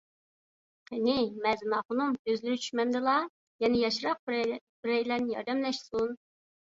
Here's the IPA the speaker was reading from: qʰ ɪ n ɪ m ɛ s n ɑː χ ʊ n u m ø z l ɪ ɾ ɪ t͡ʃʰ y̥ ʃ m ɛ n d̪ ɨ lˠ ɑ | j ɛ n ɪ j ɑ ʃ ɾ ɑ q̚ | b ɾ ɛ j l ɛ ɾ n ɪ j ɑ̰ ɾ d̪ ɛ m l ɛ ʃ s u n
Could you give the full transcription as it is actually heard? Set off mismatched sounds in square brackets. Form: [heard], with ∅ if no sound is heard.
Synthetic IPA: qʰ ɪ n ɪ m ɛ [z] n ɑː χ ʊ n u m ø z l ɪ ɾ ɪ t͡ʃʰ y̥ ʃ m ɛ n d̪ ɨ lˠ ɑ | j ɛ n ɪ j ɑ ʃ ɾ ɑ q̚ | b ɾ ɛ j l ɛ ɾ n ɪ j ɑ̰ ɾ d̪ ɛ m l ɛ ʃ s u n